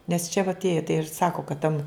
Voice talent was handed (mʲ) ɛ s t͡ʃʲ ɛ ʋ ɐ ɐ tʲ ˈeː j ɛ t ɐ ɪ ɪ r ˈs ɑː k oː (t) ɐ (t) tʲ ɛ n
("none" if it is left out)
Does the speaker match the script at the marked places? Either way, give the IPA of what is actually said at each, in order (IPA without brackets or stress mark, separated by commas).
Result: nʲ, k, t